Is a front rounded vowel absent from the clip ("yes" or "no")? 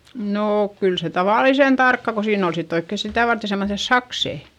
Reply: no